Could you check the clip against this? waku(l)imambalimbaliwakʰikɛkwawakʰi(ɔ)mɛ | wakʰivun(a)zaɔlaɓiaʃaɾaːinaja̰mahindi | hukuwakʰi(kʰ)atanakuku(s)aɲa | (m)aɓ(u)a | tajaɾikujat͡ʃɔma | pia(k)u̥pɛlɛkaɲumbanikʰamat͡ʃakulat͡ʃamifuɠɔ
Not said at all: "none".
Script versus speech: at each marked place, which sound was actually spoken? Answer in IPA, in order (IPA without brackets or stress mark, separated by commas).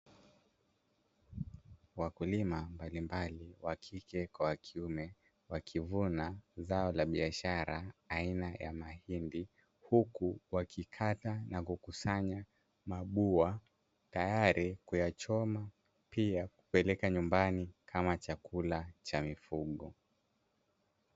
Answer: l, u, a, kʰ, s, m, u, k